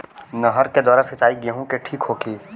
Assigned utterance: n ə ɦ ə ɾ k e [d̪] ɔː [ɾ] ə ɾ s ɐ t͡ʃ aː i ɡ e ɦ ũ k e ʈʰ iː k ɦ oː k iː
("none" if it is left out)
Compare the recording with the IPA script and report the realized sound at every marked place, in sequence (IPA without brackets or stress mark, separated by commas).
d̪, ɾ